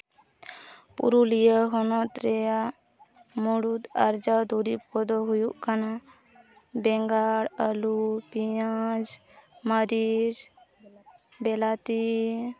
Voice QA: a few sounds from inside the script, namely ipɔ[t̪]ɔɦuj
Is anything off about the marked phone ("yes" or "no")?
yes